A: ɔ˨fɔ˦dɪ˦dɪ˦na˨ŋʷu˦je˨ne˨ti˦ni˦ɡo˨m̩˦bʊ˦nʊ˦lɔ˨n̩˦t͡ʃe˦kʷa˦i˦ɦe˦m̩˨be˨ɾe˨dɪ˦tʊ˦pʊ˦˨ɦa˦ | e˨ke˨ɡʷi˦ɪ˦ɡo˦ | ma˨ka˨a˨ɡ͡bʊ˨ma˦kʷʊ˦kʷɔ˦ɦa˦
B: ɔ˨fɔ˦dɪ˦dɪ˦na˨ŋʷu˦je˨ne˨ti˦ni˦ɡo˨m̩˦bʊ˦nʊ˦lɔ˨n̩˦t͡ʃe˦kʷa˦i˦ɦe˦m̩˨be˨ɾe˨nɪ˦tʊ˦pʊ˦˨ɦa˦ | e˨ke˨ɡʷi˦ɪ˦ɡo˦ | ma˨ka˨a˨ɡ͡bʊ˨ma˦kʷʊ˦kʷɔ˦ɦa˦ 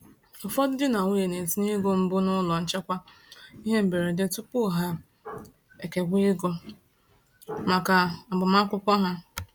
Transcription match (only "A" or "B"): A